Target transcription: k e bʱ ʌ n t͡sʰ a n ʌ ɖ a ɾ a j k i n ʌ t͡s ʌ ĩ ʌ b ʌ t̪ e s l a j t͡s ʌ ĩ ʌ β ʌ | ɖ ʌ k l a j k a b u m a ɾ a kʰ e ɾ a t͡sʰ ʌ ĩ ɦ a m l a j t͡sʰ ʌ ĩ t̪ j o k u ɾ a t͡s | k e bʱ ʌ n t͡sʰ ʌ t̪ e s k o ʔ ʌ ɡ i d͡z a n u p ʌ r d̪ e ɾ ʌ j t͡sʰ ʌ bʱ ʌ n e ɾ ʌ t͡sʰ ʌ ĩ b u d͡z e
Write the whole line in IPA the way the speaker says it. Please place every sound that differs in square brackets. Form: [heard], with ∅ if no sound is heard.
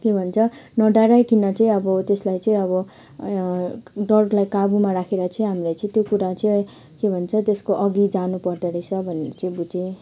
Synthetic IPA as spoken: k e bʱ ʌ n t͡sʰ [ʌ] n ʌ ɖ a ɾ a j k i n ʌ t͡s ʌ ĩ ʌ b ʌ t̪ e s l a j t͡s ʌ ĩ ʌ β ʌ | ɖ ʌ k l a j k a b u m a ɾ a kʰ e ɾ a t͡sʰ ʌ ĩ ɦ a m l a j [t͡s] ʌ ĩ t̪ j o k u ɾ a t͡s | k e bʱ ʌ n t͡sʰ ʌ t̪ e s k o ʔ ʌ ɡ i d͡z a n u p ʌ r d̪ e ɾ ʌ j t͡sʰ ʌ bʱ ʌ n e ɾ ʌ [t͡s] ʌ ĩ b u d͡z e